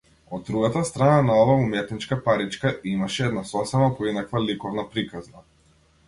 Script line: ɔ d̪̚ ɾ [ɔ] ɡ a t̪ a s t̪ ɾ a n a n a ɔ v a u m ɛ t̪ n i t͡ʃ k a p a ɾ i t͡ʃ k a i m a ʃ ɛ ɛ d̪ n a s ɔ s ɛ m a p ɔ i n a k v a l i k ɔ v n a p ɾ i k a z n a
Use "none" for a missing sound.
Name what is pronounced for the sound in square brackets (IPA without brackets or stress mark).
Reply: u